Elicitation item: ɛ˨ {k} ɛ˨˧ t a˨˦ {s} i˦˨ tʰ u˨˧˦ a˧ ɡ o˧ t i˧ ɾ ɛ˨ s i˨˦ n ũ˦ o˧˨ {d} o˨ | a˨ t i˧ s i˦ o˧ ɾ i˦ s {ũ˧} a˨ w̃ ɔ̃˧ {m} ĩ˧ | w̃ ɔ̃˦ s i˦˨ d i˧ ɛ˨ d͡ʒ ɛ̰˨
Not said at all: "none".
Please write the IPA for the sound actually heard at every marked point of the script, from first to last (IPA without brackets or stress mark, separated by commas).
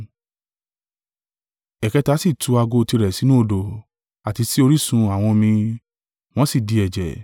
k, s, d, ũ˧, m